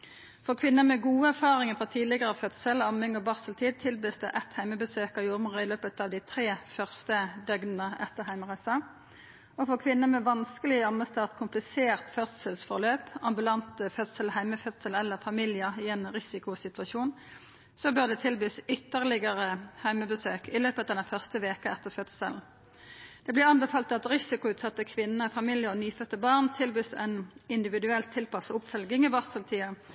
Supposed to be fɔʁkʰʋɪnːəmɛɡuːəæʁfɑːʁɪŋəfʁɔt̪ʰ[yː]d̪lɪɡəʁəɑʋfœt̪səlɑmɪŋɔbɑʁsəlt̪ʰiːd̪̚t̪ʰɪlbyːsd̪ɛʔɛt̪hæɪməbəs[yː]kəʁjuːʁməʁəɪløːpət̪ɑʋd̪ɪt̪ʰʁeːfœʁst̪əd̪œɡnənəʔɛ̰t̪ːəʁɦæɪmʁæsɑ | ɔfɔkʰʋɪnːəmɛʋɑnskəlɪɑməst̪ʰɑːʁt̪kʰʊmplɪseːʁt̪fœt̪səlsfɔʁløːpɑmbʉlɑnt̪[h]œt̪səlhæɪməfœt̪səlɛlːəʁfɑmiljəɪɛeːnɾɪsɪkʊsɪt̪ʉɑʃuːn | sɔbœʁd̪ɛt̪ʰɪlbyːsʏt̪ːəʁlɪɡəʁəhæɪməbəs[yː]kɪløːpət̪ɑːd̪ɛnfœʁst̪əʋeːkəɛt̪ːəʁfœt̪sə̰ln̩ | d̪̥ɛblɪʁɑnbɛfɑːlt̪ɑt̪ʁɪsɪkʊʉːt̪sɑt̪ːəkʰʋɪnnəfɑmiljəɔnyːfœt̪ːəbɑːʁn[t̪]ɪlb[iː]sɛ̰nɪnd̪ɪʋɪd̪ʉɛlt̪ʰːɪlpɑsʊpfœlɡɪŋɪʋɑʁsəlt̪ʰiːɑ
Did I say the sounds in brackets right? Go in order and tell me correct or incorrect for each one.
incorrect: iː, incorrect: øː, incorrect: f, incorrect: øː, incorrect: t̪ʰ, incorrect: yː

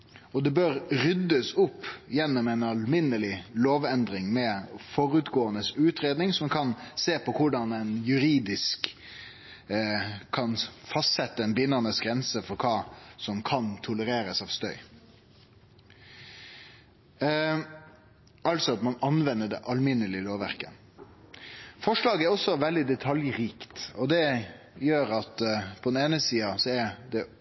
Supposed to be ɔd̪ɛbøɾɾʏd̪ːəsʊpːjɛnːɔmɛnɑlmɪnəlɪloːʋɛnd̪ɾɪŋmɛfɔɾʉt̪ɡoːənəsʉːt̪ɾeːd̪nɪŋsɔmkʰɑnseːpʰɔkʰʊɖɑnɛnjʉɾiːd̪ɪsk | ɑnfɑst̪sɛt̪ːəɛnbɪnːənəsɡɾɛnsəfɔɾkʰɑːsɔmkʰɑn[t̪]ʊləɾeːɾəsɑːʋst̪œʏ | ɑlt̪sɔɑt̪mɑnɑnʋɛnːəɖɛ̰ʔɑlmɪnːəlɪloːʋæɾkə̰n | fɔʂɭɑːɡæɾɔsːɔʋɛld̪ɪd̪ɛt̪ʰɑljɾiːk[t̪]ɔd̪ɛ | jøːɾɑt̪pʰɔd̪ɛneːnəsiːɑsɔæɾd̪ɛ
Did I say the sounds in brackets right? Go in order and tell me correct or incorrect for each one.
incorrect: t̪ʰ, correct

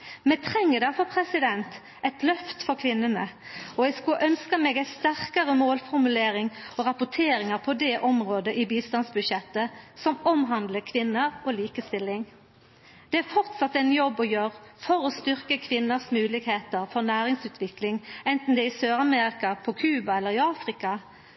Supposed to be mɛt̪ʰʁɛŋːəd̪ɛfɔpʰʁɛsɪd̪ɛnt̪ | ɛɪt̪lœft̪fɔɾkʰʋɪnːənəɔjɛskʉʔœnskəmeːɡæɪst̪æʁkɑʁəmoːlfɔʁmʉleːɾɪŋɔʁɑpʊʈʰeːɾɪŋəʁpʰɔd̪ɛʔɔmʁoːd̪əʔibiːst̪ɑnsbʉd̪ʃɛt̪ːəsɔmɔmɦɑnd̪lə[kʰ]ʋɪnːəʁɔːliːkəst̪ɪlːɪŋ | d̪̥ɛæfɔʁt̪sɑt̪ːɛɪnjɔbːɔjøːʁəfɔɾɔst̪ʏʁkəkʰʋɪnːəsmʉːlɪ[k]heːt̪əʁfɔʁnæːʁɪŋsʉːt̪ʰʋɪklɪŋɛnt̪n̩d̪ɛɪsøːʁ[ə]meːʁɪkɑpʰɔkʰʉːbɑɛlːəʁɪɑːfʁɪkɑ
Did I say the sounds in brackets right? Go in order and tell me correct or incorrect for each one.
correct, incorrect: ɡ, incorrect: ɑ

